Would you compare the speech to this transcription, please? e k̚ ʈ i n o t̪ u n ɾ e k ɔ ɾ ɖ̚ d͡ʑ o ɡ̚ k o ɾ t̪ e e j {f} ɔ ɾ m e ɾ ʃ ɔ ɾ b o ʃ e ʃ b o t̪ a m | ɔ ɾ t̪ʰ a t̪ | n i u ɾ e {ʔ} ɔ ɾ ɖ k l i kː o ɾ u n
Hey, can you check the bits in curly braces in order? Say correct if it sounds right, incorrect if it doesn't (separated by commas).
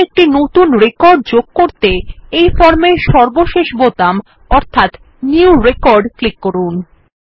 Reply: correct, incorrect